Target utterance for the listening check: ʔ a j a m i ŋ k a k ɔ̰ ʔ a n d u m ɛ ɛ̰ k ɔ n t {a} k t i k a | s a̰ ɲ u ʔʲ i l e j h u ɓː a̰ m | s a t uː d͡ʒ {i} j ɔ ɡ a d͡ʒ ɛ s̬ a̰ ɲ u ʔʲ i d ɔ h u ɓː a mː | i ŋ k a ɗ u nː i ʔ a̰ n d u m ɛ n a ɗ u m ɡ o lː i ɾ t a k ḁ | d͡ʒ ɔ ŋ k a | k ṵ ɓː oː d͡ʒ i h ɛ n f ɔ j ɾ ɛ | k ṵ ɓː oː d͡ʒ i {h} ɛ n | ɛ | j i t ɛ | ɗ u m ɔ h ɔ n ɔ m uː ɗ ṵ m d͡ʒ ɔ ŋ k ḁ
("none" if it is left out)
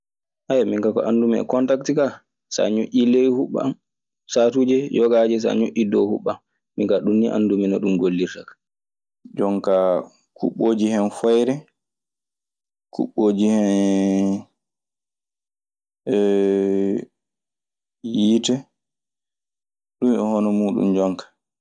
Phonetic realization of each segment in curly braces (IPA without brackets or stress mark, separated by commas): a, ɛ, h